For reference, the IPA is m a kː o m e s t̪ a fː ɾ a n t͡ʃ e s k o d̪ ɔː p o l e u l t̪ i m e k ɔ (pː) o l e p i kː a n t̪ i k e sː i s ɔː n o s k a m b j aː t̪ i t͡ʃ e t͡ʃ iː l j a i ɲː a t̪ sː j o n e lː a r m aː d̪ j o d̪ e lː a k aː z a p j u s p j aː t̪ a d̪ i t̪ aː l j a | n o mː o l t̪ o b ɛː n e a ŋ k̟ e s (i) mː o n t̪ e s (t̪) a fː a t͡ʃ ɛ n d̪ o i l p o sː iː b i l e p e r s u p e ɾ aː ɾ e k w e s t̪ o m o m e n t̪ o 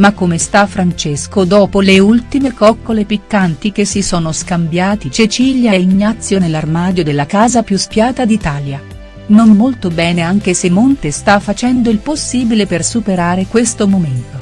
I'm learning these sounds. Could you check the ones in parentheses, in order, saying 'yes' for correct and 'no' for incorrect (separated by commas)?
no, no, yes